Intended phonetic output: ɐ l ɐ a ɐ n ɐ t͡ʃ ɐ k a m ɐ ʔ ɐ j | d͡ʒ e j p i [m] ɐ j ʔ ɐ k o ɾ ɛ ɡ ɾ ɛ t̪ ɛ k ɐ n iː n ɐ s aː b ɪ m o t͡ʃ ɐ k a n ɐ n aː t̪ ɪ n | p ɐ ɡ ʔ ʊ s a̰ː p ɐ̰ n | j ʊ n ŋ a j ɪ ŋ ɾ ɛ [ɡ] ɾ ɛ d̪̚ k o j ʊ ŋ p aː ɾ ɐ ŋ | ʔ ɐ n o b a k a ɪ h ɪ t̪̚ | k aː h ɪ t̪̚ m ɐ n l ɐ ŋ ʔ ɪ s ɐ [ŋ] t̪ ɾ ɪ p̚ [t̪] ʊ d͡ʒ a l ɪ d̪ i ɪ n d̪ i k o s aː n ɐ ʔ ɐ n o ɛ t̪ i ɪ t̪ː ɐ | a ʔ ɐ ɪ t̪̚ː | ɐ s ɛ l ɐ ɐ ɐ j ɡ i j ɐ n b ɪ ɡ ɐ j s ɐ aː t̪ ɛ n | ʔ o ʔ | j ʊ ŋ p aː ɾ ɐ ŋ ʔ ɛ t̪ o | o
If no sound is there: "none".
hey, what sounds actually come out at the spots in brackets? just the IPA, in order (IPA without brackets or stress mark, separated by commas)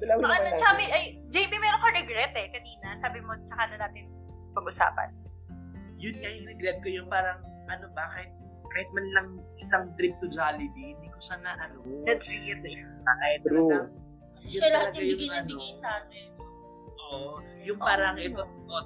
m, ɡ, ŋ, t̪